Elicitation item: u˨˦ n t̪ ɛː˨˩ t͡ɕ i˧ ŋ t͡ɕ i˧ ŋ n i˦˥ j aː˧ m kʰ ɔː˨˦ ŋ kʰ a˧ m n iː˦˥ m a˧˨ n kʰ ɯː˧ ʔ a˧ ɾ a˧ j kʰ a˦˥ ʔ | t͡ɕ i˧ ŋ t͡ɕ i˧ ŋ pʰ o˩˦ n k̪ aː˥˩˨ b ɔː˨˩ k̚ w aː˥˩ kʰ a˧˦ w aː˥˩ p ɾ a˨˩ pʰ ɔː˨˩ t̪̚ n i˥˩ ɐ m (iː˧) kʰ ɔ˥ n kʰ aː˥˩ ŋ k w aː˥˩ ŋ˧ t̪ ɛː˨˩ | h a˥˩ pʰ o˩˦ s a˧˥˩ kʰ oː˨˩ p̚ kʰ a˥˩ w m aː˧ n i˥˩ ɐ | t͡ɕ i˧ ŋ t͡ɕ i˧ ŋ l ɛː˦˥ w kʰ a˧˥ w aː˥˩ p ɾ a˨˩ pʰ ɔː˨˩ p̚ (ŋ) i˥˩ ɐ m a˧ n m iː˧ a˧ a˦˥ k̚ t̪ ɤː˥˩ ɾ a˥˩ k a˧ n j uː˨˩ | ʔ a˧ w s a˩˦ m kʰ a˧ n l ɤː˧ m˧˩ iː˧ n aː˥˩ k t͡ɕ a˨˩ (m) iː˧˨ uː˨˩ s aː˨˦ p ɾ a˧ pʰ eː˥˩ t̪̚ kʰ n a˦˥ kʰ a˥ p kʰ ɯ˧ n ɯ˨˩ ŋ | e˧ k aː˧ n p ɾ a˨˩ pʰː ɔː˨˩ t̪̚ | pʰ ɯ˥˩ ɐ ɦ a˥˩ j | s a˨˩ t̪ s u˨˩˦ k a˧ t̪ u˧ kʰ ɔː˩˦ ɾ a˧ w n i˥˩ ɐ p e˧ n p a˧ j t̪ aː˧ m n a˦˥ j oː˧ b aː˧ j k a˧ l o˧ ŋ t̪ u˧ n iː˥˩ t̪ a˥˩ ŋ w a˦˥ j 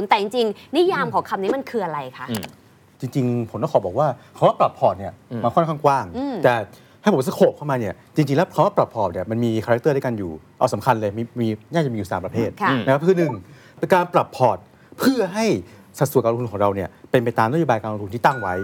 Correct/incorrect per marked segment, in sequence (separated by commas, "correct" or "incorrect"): incorrect, incorrect, correct